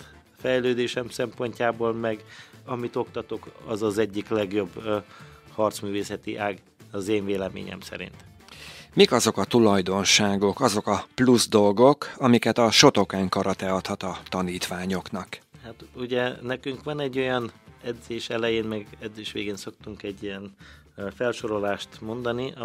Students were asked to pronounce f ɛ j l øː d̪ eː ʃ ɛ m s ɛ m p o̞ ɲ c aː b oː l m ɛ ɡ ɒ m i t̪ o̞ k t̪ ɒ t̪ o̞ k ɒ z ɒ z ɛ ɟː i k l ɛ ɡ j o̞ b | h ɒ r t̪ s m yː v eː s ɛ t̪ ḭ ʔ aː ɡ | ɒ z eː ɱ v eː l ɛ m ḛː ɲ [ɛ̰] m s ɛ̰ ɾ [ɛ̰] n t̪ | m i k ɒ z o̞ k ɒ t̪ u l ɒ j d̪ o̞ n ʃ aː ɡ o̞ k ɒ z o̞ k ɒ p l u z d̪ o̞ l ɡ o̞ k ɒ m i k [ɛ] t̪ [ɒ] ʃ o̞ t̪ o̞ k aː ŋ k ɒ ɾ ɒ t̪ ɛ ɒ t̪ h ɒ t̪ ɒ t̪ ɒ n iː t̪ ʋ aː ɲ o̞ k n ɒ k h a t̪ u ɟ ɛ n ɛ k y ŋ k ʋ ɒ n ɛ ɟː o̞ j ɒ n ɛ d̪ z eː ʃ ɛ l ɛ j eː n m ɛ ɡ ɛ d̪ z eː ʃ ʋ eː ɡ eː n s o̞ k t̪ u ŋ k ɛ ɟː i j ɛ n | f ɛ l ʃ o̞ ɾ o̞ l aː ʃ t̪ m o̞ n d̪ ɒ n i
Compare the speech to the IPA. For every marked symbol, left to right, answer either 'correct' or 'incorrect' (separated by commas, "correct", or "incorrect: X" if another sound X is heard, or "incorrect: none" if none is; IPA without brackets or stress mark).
correct, incorrect: ḭ, correct, correct